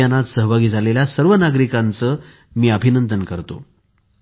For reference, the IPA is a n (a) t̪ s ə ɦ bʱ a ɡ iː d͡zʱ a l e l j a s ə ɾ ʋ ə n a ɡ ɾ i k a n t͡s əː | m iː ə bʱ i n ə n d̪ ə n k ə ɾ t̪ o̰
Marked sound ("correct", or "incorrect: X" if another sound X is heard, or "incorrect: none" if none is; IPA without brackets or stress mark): correct